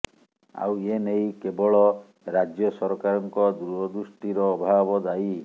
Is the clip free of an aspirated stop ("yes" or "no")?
yes